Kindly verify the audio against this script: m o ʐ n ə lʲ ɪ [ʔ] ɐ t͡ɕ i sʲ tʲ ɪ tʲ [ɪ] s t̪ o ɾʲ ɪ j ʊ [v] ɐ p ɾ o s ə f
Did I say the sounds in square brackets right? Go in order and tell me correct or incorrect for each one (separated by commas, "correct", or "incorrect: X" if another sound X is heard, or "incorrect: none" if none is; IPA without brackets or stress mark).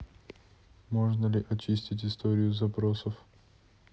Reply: correct, correct, incorrect: z